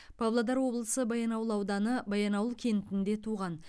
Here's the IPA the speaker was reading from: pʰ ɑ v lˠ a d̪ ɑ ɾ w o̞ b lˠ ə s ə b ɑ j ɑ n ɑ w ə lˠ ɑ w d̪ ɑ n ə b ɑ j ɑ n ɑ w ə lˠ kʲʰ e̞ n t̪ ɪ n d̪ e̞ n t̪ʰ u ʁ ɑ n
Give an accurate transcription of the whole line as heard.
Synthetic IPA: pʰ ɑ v lˠ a d̪ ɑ ɾ w o̞ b lˠ ə s ə b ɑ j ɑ n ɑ w ə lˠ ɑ w d̪ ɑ n ə b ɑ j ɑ n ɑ w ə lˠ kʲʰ e̞ n t̪ ɪ n d̪ e̞ t̪ʰ u ʁ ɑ n